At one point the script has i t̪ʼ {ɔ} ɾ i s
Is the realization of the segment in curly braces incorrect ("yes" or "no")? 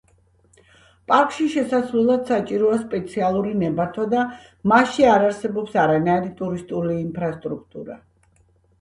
yes